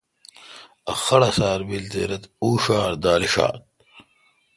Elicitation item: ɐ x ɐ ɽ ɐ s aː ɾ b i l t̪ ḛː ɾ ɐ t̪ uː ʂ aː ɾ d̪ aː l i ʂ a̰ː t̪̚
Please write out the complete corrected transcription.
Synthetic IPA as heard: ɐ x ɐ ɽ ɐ s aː ɾ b i l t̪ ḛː ɾ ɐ t̪ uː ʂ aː ɾ d̪ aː l i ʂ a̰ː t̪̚